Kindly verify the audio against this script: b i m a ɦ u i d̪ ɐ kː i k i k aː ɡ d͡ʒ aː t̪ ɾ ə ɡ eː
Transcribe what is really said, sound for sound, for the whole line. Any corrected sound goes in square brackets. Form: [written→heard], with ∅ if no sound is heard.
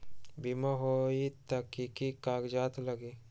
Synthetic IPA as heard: b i m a ɦ [u→o] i [d̪→t̪] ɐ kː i k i k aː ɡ d͡ʒ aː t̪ [ɾ→l] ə ɡ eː